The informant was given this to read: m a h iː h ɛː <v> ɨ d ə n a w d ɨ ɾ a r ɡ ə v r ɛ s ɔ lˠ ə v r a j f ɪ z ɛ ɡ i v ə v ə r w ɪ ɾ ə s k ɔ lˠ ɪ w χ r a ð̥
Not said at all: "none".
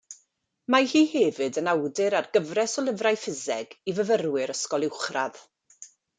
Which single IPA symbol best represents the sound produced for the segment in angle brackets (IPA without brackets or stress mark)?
v